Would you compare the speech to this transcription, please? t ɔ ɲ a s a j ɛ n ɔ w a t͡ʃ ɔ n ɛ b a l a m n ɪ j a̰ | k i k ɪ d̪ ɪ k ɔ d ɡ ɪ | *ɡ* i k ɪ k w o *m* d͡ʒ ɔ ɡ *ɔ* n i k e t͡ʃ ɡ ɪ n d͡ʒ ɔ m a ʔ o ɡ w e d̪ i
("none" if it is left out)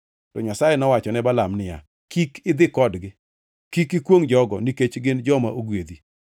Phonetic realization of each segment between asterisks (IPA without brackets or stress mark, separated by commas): k, ŋ, ɔ